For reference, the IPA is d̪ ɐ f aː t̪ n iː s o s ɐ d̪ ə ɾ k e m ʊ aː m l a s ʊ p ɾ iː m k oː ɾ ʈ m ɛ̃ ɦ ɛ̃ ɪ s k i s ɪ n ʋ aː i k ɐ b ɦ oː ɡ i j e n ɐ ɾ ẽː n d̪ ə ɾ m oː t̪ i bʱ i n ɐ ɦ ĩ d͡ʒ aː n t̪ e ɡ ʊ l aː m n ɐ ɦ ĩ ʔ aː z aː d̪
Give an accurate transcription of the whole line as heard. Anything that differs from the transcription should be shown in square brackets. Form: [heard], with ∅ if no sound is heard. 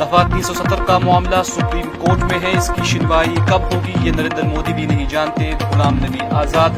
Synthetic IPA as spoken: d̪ ɐ f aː t̪ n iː s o s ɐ [t̪] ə ɾ k [a] m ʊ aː m l a s ʊ p ɾ iː m k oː ɾ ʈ m [ẽ] ɦ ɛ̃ ɪ s k i [ʃ] ɪ n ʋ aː i k ɐ b ɦ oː ɡ i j e n ɐ ɾ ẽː n d̪ ə ɾ m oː [d̪] i bʱ i n ɐ ɦ ĩ d͡ʒ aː n t̪ e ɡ ʊ l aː m n ɐ ɦ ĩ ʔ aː z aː d̪